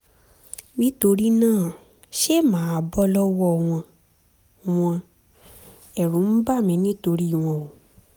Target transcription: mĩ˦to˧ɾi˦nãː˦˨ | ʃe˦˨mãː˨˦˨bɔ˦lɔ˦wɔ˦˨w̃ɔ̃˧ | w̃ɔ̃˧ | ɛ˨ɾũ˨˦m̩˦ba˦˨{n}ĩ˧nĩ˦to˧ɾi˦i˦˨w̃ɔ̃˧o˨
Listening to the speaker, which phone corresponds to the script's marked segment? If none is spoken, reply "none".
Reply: m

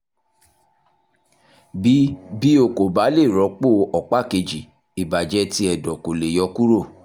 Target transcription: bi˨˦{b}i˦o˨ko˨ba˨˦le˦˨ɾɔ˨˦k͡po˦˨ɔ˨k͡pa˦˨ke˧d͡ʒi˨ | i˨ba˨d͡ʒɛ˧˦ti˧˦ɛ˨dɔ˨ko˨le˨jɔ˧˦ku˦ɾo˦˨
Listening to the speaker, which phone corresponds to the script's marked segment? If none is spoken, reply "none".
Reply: b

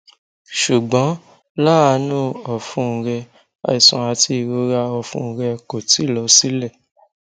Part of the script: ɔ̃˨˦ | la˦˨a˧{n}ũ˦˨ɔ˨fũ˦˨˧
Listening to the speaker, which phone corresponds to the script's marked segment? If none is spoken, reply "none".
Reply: n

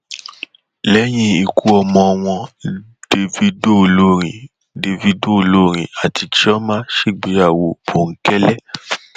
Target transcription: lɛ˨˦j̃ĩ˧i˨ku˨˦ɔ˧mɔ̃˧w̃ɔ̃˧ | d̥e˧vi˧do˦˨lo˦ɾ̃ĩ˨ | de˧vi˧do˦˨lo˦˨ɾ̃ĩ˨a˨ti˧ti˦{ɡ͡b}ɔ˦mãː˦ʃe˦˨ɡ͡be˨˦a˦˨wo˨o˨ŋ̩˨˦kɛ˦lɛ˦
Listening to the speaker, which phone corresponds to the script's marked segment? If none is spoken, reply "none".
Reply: none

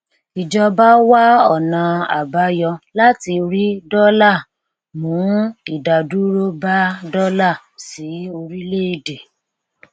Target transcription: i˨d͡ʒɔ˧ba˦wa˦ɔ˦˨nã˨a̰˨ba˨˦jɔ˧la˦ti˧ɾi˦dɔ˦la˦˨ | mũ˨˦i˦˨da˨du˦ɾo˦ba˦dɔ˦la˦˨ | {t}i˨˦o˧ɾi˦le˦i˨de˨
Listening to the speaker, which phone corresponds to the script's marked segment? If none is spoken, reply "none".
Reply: s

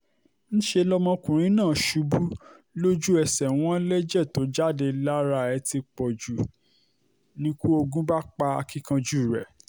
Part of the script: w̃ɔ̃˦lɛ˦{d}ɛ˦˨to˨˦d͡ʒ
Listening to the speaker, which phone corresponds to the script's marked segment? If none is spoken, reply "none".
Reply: d͡ʒ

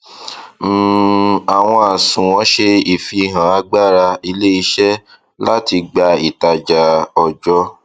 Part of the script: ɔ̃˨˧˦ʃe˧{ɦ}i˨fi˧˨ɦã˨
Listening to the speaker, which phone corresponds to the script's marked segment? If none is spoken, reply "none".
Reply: none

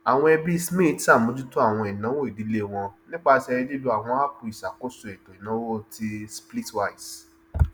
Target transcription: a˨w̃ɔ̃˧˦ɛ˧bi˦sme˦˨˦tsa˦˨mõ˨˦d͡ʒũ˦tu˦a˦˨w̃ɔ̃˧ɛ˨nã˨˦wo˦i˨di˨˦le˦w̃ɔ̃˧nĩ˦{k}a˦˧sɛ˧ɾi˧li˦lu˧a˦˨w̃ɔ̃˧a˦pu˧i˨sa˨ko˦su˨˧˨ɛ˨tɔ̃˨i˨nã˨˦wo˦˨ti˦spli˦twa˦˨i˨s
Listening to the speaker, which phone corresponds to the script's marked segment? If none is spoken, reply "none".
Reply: k͡p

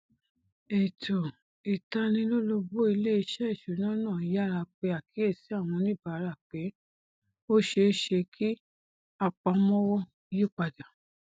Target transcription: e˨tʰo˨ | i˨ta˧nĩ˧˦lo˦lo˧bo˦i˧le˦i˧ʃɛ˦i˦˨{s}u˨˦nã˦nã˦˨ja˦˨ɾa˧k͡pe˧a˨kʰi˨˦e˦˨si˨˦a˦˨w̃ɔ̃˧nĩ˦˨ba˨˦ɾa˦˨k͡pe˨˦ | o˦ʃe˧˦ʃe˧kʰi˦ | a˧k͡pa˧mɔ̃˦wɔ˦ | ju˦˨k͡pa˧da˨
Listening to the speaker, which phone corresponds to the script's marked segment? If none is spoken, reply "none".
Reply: ʃ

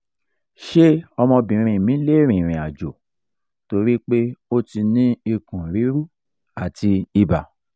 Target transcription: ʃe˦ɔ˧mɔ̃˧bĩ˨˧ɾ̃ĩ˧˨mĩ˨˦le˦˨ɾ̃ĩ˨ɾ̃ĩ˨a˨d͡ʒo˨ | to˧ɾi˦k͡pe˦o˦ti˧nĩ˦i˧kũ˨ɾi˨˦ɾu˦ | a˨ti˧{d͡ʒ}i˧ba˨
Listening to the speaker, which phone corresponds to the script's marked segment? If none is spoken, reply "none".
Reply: none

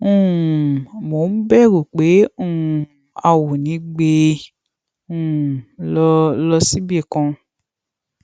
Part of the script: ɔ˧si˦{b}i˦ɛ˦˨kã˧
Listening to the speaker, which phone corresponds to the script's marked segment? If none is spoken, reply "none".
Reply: b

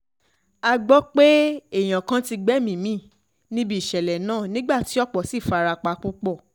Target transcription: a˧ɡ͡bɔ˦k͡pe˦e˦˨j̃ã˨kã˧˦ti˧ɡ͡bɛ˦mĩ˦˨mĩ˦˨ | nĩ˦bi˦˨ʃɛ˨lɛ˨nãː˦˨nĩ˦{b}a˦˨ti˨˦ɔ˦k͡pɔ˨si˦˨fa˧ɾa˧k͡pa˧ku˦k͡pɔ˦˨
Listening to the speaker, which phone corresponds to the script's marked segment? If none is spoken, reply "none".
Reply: ɡ͡b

